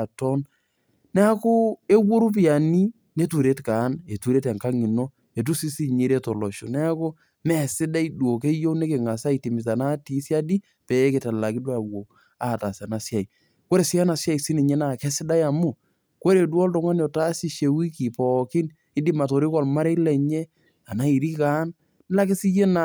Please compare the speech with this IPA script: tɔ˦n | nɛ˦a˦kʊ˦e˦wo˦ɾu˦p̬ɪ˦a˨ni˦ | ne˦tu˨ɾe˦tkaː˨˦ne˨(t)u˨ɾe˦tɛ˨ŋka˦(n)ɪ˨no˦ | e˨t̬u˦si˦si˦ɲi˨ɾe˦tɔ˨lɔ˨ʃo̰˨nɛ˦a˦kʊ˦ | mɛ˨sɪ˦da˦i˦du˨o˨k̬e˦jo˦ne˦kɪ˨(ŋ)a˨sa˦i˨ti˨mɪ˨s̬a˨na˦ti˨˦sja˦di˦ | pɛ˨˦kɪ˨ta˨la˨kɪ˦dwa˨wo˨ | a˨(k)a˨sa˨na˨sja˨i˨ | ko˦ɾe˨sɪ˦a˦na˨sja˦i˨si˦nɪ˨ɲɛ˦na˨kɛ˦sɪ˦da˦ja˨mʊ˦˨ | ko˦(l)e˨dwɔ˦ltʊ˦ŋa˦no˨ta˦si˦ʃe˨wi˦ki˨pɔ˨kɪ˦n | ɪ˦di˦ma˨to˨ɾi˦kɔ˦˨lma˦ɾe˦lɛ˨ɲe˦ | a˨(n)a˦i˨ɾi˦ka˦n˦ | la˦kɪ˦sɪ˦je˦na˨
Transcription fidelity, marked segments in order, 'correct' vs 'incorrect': correct, incorrect, correct, incorrect, incorrect, correct

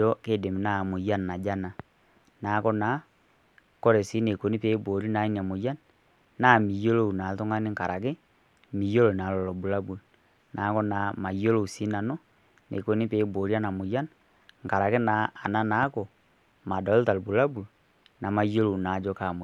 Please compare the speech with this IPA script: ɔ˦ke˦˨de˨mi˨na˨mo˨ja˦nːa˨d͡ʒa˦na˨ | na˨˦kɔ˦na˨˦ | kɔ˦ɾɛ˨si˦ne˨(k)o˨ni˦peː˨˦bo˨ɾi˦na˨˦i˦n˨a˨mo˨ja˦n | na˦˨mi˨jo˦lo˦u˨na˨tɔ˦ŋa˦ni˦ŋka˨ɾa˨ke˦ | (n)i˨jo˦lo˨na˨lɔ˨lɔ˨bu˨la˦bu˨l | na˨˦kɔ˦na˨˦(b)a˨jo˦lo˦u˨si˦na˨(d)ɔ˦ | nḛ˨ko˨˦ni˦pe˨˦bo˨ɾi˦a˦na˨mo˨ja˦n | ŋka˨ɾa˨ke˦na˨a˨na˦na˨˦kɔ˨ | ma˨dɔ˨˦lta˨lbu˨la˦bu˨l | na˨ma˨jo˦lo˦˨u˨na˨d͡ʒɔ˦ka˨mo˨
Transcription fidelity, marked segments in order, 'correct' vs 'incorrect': correct, incorrect, incorrect, incorrect

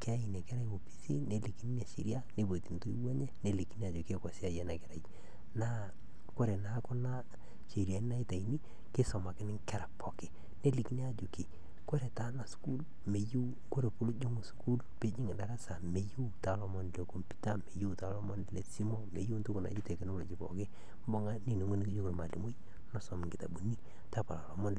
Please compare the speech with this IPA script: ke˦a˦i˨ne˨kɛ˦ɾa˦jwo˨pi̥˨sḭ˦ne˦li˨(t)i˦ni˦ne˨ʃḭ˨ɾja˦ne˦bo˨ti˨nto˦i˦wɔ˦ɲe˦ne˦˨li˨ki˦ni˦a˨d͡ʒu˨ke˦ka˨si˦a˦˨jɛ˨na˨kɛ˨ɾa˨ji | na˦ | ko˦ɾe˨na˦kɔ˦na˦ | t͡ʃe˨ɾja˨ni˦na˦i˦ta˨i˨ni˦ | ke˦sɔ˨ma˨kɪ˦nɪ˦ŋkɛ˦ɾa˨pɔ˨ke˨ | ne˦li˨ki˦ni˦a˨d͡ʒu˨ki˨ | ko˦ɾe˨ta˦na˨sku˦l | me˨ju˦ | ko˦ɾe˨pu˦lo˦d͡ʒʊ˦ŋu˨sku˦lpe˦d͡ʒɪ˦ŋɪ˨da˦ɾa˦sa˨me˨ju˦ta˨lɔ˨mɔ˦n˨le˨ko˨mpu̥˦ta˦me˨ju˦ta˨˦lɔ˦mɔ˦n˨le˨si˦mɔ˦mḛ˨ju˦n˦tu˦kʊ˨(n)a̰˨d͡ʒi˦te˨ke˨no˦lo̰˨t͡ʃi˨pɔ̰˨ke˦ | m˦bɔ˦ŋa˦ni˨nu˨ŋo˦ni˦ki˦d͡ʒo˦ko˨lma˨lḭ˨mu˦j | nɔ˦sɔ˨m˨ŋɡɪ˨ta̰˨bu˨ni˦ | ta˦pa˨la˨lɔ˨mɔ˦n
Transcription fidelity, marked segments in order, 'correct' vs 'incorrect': incorrect, correct

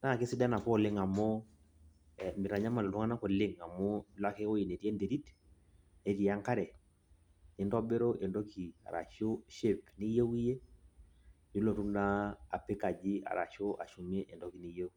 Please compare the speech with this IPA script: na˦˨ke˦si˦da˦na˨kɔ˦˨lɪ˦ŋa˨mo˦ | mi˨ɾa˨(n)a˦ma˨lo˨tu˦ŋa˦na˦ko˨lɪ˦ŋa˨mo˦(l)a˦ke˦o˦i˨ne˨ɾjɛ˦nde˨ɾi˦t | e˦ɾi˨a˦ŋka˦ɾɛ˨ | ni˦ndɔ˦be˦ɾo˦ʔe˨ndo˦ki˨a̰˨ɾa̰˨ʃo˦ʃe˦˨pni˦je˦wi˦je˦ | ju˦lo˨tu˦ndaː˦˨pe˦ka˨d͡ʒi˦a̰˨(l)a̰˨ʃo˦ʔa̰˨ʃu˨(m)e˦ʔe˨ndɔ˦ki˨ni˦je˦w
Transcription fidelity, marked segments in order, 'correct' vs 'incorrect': incorrect, correct, incorrect, correct

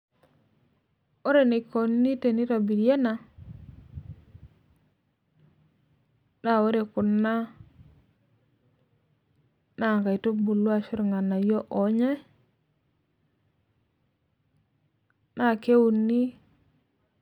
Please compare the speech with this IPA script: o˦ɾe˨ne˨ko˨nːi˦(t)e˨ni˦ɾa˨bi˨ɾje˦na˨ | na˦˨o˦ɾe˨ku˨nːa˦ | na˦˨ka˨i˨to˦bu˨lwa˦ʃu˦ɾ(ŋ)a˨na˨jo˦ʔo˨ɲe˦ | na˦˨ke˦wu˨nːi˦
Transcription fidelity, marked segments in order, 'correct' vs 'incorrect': correct, correct

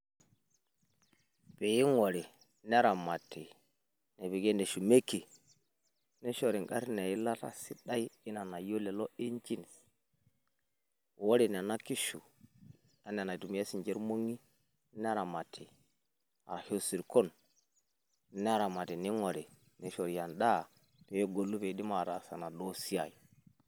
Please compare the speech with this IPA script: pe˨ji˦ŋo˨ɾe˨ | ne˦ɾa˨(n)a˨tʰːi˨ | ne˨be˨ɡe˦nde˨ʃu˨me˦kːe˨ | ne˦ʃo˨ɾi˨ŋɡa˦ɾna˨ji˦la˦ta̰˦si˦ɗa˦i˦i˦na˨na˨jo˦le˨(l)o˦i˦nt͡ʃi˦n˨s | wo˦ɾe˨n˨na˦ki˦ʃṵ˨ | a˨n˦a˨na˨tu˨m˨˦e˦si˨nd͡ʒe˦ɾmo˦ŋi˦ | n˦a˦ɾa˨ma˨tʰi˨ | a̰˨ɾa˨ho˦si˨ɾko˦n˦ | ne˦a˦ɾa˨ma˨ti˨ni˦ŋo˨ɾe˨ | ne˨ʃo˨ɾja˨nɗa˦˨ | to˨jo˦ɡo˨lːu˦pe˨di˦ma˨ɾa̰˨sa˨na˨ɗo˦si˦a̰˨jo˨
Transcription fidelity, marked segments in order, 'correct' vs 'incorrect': incorrect, correct

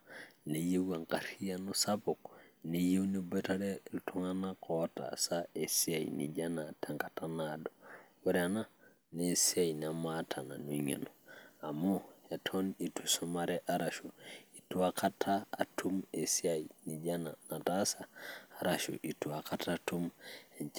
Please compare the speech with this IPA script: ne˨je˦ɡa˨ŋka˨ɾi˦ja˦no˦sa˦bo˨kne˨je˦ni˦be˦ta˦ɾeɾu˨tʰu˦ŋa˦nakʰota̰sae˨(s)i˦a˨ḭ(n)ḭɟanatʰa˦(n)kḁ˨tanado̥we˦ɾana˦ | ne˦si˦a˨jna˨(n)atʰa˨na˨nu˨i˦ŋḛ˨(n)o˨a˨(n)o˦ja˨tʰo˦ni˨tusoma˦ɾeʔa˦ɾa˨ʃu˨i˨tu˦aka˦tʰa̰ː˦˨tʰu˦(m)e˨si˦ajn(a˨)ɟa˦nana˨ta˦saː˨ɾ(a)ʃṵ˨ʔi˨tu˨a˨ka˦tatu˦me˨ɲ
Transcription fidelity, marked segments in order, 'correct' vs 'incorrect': correct, correct, incorrect, incorrect, correct, incorrect, correct, incorrect, correct

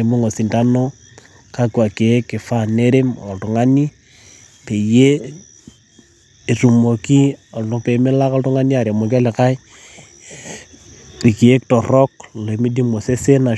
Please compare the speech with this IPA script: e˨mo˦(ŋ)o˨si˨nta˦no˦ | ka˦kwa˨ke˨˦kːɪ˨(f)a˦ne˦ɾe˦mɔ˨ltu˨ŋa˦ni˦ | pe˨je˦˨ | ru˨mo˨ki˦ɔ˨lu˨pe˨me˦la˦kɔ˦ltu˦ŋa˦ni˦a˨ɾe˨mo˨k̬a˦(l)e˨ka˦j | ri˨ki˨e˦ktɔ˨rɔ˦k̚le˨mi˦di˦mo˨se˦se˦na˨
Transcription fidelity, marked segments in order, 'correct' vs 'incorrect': correct, correct, correct

